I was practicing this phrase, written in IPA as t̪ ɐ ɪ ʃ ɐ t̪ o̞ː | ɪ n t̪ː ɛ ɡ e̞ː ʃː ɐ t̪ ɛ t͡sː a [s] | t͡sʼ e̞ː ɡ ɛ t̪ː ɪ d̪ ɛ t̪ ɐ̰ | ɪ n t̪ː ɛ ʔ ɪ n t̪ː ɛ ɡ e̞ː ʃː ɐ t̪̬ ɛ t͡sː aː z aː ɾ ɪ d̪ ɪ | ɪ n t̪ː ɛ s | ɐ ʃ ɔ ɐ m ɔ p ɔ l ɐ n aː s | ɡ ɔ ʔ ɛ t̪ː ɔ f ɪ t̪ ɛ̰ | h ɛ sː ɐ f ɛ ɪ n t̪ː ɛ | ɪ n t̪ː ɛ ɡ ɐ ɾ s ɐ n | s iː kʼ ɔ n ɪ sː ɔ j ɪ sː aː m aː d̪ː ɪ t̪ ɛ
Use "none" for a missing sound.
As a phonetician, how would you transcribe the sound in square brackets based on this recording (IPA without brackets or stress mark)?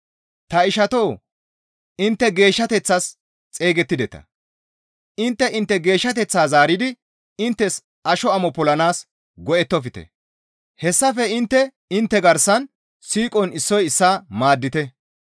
s